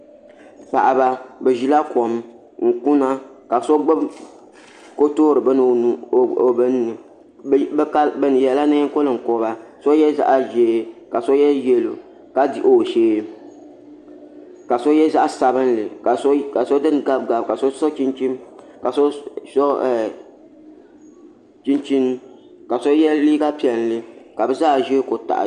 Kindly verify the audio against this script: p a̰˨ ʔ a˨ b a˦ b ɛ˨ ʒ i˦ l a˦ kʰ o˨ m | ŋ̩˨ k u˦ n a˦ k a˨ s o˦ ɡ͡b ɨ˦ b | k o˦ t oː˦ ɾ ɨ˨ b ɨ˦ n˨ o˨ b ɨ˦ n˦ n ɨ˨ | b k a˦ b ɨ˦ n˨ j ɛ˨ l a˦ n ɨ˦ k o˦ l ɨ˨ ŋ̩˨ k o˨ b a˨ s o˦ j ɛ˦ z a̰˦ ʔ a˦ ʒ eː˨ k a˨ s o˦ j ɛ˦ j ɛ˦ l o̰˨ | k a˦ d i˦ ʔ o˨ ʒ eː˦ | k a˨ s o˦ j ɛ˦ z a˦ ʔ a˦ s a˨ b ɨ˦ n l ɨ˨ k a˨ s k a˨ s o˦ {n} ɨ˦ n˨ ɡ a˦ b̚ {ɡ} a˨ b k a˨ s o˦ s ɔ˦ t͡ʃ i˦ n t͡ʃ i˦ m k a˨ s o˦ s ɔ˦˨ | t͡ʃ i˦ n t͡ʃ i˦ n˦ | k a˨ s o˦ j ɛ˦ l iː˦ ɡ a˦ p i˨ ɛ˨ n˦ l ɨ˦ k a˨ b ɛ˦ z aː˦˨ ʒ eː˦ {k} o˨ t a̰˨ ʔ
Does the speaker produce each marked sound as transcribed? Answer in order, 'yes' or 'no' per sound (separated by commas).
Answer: no, yes, yes